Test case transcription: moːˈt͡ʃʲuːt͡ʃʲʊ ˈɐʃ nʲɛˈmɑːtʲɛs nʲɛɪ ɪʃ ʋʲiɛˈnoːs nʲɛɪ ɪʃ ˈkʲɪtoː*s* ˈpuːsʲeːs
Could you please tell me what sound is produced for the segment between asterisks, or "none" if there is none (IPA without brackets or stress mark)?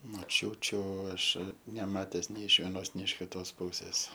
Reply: s